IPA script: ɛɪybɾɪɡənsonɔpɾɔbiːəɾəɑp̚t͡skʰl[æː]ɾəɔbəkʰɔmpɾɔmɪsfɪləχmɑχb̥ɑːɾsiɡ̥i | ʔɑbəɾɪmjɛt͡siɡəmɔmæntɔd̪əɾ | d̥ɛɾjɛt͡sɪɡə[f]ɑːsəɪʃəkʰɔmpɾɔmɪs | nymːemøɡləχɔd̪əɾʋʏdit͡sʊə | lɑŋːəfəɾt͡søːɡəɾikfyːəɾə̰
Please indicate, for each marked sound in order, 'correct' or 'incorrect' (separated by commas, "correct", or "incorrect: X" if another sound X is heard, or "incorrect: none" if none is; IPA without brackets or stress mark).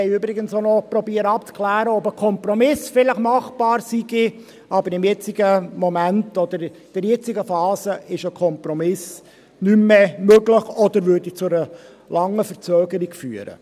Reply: correct, correct